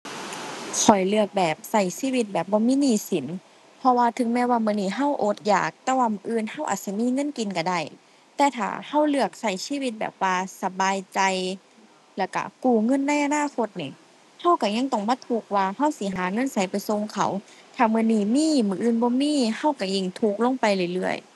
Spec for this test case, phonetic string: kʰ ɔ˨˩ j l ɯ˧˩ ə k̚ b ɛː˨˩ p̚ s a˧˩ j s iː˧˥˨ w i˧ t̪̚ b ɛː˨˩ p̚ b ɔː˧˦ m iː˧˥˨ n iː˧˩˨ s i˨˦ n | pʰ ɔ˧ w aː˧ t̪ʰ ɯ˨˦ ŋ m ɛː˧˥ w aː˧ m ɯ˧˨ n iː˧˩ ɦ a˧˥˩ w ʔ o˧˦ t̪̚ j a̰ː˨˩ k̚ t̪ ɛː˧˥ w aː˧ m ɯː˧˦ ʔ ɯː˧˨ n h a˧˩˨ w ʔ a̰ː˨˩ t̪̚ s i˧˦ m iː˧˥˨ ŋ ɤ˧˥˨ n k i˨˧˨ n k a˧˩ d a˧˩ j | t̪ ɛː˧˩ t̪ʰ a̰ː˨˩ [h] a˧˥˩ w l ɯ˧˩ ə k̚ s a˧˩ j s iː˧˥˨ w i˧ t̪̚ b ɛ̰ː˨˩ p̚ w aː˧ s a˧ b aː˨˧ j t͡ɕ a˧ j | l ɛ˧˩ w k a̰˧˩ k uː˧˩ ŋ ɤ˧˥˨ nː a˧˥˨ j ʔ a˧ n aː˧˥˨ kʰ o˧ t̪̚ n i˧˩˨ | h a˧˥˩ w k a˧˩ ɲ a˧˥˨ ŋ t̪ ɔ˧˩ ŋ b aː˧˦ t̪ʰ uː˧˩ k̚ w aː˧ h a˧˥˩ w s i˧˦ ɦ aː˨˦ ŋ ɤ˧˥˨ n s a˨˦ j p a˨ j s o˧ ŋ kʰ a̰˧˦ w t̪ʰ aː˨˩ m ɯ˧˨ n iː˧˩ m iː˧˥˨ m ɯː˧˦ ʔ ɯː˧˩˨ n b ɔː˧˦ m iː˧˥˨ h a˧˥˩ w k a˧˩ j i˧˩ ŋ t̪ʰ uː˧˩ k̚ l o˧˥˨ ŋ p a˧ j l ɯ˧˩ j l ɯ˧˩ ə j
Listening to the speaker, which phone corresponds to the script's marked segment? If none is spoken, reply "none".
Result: h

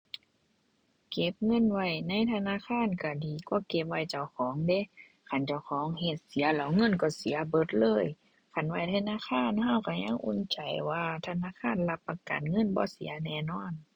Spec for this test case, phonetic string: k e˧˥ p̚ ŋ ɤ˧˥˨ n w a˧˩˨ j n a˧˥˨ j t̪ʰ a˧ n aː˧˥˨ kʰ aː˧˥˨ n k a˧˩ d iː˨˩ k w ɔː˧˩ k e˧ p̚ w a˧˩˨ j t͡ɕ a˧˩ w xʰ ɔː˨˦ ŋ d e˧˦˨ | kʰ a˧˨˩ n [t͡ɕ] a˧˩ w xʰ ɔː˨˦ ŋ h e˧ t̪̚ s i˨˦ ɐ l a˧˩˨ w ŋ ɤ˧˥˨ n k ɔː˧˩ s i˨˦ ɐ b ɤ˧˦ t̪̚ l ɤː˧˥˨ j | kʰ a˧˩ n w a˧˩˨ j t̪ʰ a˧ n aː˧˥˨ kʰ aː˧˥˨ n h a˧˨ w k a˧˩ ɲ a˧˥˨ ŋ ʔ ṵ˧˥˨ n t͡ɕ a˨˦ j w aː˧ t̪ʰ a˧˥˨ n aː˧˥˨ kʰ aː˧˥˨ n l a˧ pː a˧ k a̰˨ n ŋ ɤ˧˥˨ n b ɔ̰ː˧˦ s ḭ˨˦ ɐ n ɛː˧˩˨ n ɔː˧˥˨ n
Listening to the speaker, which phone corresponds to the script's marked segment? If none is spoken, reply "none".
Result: t͡ɕ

